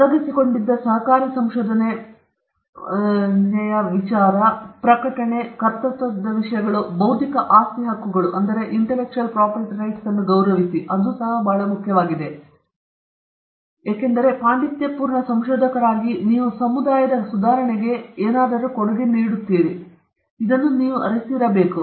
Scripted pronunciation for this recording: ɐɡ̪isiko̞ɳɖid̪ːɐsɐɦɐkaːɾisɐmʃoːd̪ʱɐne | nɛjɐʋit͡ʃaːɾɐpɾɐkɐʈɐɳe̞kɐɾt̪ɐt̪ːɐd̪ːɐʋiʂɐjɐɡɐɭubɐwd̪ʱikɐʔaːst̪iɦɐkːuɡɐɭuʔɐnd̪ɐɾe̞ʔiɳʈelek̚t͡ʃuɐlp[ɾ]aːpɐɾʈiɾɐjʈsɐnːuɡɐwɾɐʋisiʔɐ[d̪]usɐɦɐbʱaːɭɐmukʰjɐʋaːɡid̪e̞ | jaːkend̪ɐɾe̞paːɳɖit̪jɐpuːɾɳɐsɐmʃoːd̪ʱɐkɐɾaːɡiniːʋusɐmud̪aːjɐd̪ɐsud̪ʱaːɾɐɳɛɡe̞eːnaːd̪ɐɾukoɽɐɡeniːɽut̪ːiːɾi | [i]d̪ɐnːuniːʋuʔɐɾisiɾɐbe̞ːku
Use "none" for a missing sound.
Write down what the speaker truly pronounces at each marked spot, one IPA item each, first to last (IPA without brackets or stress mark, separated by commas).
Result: ɾ, d̪, i